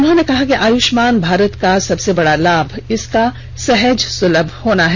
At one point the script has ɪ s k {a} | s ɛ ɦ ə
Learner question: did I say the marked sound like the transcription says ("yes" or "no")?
yes